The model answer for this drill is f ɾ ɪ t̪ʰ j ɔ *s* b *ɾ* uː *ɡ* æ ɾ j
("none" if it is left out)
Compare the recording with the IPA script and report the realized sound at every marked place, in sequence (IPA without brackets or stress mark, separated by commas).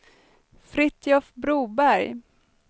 f, ɾ, b